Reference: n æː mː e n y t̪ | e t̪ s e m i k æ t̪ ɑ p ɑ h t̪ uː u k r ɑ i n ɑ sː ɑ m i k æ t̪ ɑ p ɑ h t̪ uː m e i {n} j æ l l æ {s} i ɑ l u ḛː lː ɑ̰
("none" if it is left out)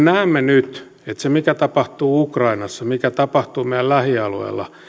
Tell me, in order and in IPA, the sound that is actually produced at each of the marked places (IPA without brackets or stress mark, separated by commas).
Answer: none, h